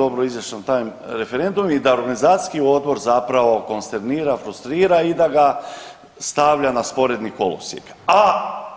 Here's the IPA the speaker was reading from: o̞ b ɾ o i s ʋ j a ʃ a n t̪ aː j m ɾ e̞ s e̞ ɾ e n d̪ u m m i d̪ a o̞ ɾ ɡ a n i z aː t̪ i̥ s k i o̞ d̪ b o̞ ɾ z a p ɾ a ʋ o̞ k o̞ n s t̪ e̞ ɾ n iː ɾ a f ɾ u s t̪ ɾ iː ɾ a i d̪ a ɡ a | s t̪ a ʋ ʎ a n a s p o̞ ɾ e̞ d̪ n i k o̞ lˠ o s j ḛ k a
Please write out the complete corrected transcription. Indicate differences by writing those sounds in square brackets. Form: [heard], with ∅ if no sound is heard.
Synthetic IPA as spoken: o̞ b ɾ o i [z] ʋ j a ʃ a n t̪ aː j m ɾ e̞ [f] e̞ ɾ e n d̪ u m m i d̪ a o̞ ɾ ɡ a n i z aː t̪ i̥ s k i o̞ d̪ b o̞ ɾ z a p ɾ a ʋ o̞ k o̞ n s t̪ e̞ ɾ n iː ɾ a f ɾ u s t̪ ɾ iː ɾ a i d̪ a ɡ a | s t̪ a ʋ ʎ a n a s p o̞ ɾ e̞ d̪ n i k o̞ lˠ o s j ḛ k a